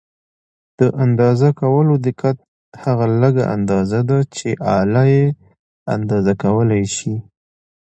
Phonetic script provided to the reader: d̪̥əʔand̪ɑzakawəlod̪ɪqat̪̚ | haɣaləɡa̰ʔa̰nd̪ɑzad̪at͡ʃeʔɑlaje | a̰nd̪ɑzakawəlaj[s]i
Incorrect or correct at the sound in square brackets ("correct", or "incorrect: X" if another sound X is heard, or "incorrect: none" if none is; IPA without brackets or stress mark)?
incorrect: ʃ